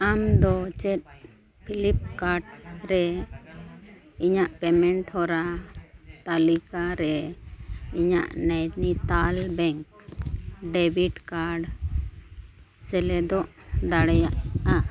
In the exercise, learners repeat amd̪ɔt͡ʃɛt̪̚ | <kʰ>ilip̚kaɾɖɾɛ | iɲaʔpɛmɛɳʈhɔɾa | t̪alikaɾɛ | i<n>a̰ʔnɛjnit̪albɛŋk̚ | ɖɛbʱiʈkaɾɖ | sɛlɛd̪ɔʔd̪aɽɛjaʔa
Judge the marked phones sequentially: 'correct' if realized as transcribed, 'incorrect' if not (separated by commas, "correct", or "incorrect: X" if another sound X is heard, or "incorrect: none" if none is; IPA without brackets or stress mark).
incorrect: pʰ, incorrect: ɲ